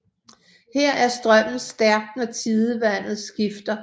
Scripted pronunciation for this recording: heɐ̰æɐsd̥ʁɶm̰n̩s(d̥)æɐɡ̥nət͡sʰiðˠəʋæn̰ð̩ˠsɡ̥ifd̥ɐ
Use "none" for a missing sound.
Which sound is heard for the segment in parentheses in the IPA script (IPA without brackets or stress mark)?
d̥